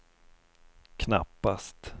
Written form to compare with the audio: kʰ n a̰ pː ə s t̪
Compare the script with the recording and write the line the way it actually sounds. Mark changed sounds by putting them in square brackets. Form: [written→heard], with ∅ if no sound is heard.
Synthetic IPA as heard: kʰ n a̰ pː [ə→a] s t̪